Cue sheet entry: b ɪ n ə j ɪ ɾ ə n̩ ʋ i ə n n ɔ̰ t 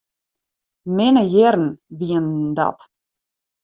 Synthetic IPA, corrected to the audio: m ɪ n ə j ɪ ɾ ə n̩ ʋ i ə n d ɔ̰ t